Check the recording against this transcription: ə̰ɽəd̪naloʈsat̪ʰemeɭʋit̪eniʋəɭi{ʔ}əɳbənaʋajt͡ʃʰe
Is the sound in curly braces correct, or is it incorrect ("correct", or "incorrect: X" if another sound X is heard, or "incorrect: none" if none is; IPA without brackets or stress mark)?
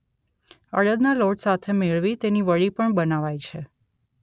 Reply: incorrect: p